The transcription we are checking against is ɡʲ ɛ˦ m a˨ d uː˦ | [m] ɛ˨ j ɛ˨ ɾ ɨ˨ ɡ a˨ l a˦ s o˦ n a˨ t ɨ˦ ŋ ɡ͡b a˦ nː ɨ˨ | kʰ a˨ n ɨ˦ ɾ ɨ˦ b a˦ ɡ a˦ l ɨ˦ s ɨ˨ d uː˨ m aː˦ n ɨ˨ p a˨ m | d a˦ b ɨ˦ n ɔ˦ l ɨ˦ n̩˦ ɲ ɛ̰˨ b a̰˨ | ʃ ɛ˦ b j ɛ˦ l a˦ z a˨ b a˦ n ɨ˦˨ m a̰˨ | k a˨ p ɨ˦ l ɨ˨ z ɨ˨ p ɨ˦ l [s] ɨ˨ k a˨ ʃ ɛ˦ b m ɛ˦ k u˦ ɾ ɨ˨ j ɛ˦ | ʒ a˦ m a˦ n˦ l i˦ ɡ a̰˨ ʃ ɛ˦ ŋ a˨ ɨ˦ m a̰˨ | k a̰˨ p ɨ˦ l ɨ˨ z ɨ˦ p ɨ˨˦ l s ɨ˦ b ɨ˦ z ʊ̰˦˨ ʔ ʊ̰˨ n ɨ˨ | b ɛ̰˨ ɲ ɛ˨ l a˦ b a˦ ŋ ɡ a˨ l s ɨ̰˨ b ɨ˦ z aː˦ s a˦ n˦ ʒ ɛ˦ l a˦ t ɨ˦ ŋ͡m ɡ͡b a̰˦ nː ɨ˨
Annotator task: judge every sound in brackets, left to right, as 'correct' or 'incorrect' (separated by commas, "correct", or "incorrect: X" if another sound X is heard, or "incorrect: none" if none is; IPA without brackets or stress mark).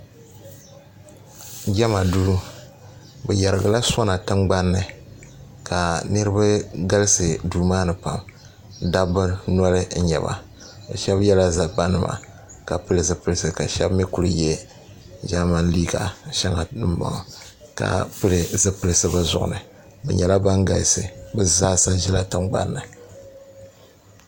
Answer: incorrect: b, correct